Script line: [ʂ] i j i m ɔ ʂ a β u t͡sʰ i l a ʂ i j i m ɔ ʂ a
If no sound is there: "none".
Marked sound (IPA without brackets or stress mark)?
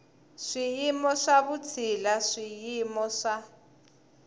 ʂ